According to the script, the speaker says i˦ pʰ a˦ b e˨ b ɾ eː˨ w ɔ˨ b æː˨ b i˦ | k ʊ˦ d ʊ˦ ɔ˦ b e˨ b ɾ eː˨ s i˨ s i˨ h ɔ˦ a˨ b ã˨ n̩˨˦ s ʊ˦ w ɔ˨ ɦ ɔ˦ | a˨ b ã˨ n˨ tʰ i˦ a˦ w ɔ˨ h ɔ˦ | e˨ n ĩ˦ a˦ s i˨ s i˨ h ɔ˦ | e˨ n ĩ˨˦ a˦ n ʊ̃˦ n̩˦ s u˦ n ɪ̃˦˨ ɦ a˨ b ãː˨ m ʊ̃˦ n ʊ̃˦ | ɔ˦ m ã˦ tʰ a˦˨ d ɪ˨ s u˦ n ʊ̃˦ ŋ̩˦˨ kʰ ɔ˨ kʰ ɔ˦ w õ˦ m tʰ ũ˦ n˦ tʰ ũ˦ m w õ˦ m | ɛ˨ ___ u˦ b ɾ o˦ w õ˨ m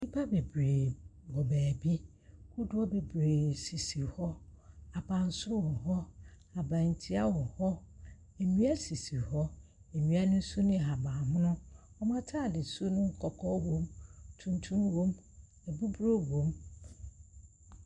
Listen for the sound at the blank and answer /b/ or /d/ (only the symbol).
b